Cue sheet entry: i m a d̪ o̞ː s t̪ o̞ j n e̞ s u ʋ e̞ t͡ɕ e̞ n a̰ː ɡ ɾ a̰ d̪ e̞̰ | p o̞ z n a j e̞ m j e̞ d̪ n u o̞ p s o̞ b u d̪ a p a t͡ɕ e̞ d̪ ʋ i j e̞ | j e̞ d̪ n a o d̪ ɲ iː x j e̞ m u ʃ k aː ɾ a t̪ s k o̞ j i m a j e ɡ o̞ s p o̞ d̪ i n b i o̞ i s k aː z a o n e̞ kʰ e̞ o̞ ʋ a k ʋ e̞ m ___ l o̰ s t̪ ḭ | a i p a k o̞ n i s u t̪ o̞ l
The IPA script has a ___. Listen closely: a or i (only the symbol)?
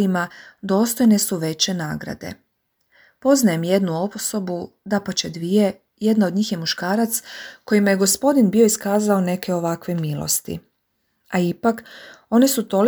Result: i